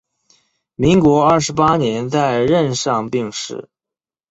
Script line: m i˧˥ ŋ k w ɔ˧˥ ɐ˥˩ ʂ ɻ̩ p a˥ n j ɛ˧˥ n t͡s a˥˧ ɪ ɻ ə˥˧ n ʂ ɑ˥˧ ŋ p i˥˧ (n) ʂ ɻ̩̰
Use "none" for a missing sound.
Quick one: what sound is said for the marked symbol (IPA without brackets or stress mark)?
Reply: ŋ